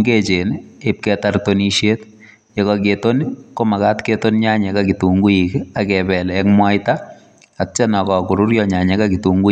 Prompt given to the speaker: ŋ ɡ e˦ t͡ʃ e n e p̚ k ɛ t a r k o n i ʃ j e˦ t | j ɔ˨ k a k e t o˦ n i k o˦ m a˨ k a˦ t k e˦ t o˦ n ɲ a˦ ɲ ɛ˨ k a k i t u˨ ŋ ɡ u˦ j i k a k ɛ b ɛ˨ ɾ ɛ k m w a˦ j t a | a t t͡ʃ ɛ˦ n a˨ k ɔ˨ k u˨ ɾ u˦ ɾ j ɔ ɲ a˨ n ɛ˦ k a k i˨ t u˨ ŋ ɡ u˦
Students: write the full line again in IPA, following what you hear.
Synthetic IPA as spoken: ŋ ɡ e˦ t͡ʃ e n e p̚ k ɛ t a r t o n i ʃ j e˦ t | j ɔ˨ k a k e t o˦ n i k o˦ m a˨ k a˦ t k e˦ t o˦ n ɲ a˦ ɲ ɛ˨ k a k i t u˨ ŋ ɡ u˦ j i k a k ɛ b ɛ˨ l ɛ k m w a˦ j t a | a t t͡ʃ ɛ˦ n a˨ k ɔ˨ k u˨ ɾ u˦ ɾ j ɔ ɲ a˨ ɲ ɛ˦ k a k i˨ t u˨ ŋ ɡ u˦